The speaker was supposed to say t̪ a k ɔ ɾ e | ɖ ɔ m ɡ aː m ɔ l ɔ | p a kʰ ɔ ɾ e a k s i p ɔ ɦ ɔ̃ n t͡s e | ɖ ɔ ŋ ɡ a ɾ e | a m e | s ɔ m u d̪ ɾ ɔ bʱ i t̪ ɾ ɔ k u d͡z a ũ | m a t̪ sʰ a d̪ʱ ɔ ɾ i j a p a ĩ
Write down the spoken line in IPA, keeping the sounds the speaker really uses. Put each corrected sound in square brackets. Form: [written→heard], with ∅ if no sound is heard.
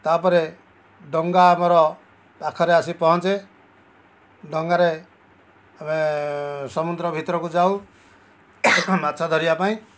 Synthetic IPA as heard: t̪ a [k→p] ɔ ɾ e | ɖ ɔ [m→ŋ] ɡ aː m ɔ [l→ɾ] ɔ | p a kʰ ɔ ɾ e a [k→∅] s i p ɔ ɦ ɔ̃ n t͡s e | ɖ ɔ ŋ ɡ a ɾ e | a m e | s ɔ m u d̪ ɾ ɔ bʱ i t̪ ɾ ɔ k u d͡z a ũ | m a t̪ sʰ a d̪ʱ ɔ ɾ i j a p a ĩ